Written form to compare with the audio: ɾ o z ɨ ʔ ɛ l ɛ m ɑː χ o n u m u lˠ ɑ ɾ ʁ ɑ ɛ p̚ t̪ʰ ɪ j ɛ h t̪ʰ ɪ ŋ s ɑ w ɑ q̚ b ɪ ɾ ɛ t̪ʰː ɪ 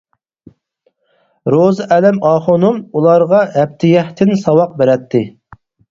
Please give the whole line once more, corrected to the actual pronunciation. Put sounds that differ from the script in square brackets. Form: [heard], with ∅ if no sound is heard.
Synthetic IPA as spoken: ɾ o z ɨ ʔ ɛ l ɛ m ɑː χ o n u m u lˠ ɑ ɾ ʁ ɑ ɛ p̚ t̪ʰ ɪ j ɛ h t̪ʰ ɪ [n] s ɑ w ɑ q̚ b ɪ ɾ ɛ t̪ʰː ɪ